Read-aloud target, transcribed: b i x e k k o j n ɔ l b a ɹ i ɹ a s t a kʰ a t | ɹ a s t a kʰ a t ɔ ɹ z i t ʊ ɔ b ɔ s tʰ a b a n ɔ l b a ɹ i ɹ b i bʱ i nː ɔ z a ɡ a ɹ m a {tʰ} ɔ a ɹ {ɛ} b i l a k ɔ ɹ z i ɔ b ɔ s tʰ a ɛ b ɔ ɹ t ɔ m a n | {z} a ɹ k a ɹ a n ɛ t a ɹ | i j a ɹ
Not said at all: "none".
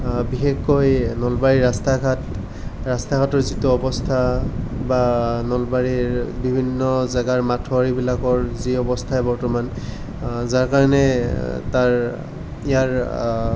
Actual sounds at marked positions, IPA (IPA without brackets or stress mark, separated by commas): tʰ, i, z